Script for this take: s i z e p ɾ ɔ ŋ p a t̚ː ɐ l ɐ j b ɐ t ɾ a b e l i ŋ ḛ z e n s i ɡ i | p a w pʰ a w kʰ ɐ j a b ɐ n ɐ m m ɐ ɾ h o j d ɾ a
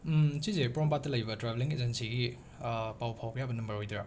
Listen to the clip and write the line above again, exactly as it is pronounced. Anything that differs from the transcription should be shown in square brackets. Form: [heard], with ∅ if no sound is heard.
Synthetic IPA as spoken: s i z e p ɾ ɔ [m] p a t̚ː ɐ l ɐ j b ɐ t ɾ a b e l i ŋ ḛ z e n s i ɡ i | p a w pʰ a w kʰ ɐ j a b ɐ n ɐ m [b] ɐ ɾ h o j d ɾ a